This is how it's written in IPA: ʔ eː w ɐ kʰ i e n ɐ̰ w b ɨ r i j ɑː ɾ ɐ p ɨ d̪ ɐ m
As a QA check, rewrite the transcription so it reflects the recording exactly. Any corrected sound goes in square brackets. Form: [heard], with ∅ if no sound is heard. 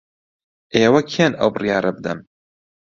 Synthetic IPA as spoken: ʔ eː w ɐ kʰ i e n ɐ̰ w b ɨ r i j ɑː ɾ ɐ [b] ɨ d̪ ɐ m